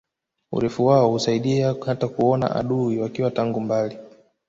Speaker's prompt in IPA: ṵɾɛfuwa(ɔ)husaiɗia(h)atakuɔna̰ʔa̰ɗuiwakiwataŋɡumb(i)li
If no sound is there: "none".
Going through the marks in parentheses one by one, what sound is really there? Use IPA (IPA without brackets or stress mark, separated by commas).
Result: ɔ, h, a